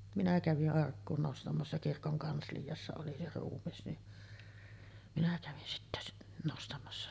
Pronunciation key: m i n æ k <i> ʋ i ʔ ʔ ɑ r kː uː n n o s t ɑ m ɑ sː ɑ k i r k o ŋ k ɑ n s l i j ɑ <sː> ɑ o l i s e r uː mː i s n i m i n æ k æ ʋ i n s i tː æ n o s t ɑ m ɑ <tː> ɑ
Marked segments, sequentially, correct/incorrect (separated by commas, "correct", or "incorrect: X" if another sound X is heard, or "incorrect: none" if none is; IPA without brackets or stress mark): incorrect: æ, correct, incorrect: sː